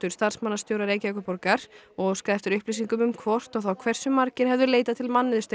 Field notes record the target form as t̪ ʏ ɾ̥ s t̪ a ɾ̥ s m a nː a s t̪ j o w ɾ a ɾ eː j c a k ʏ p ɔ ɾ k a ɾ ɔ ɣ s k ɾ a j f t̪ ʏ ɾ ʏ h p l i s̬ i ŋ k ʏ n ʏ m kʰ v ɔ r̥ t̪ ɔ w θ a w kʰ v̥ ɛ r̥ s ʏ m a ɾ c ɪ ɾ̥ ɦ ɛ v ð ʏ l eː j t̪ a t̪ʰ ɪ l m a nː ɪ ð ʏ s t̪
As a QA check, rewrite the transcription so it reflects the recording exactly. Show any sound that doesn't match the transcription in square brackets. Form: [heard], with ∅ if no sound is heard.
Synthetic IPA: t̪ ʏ ɾ̥ s t̪ a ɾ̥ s m a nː a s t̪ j o w ɾ a ɾ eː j c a k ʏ p ɔ ɾ k a ɾ ɔ ɣ s k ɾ a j f t̪ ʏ ɾ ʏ h p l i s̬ i ŋ k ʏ [m] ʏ m kʰ v ɔ r̥ t̪ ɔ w θ a w kʰ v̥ ɛ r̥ s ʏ m a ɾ c ɪ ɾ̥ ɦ ɛ v ð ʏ l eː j t̪ a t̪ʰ ɪ l m a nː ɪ ð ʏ s t̪